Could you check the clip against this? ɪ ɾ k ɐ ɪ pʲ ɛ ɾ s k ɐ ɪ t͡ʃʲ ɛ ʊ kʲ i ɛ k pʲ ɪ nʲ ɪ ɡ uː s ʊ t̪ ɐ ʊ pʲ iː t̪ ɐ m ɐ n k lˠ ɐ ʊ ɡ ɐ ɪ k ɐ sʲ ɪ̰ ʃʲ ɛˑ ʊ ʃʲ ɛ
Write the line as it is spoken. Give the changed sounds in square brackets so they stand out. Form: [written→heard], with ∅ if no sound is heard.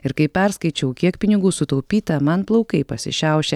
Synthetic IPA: ɪ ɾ k ɐ ɪ pʲ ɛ ɾ s k ɐ ɪ t͡ʃʲ ɛ ʊ kʲ i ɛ k pʲ ɪ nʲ ɪ ɡ uː s ʊ t̪ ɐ ʊ pʲ iː t̪ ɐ m ɐ n [k→p] lˠ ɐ ʊ [ɡ→k] ɐ ɪ [k→p] ɐ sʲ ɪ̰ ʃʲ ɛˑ ʊ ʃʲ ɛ